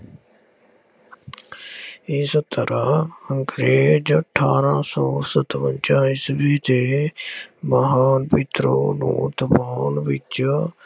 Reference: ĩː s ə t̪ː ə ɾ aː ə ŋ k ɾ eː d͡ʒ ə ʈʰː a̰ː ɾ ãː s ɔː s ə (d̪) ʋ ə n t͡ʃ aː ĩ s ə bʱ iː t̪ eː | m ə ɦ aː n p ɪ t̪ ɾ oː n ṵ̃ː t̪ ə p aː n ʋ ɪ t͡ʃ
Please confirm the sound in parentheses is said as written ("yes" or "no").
no